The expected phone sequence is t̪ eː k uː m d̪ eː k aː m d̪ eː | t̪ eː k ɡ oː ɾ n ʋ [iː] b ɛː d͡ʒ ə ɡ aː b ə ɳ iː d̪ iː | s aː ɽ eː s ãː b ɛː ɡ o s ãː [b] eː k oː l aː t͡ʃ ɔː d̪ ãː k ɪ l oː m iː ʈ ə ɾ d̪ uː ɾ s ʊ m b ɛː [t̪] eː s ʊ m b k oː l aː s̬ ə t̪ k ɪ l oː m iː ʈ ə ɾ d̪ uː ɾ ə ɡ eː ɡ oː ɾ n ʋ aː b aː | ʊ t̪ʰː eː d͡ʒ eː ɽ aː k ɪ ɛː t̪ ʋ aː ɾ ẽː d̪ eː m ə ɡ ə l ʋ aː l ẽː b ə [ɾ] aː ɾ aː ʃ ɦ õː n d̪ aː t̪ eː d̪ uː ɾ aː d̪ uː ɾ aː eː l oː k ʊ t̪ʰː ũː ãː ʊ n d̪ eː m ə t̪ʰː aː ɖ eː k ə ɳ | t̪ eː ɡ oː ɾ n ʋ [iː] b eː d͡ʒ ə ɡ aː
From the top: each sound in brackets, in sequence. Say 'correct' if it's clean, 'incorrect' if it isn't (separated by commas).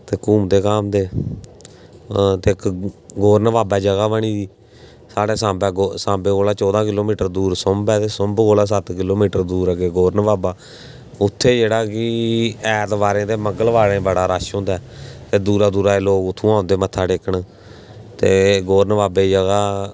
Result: incorrect, correct, correct, incorrect, incorrect